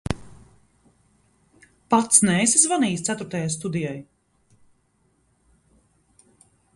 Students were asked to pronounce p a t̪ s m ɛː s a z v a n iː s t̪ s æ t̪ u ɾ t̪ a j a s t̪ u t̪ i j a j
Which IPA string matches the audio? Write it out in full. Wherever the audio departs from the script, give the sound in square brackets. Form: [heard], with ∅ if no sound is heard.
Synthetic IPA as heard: p a t̪ s [n] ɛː s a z v a n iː s t̪ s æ t̪ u ɾ t̪ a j a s t̪ u [d̪] i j a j